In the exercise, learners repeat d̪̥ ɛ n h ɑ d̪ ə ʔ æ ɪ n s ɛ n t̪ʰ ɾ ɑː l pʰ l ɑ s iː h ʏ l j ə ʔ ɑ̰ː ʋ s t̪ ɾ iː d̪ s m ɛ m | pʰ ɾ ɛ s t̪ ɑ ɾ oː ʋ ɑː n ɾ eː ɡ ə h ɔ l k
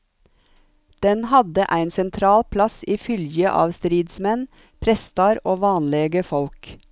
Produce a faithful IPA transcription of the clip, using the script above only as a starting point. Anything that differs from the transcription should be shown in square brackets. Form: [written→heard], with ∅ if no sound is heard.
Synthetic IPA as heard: d̪̥ ɛ n h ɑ d̪ ə ʔ æ ɪ n s ɛ n t̪ʰ ɾ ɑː l pʰ l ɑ s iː [h→f] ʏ l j ə ʔ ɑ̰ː ʋ s t̪ ɾ iː d̪ s m ɛ [m→n] | pʰ ɾ ɛ s t̪ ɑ ɾ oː ʋ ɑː n [ɾ→l] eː ɡ ə [h→f] ɔ l k